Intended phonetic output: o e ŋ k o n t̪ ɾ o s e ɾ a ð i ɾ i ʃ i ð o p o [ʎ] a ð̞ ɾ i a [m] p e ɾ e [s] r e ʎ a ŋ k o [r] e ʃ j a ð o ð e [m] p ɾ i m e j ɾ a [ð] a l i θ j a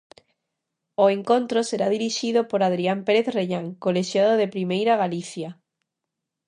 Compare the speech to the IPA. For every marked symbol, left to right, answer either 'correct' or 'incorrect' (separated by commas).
incorrect, correct, incorrect, incorrect, incorrect, incorrect